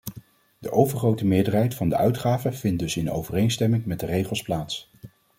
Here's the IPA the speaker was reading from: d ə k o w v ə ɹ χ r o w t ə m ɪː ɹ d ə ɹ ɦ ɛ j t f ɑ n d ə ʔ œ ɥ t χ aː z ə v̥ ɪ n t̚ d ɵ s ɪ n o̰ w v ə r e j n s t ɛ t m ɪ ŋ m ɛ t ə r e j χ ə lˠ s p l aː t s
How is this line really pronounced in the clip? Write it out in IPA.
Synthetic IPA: d ə ʔ o w v ə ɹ χ r o w t ə m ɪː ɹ d ə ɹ ɦ ɛ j t f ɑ n d ə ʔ œ ɥ t χ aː v ə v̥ ɪ n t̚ d ɵ s ɪ n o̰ w v ə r e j n s t ɛ m ɪ ŋ m ɛ d ə r e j χ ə lˠ s p l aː t s